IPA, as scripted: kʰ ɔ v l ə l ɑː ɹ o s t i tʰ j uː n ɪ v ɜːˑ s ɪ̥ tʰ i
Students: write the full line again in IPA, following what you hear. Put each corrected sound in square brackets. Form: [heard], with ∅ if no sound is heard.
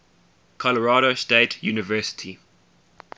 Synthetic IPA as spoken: kʰ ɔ [∅] l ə [ɹ] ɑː [ɾ] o s t [e] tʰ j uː n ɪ v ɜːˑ s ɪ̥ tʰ i